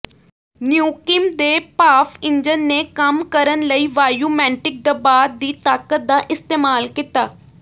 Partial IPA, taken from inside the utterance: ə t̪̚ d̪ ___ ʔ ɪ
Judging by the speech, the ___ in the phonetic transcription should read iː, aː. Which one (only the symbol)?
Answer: aː